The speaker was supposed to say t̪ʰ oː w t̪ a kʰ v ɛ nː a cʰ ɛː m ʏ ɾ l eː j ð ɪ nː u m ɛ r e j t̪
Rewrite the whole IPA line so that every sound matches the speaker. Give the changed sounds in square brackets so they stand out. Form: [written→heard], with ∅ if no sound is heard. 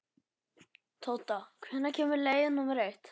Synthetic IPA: t̪ʰ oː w t̪ a kʰ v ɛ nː a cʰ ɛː m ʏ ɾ l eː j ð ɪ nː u m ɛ [r→ɾ] e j t̪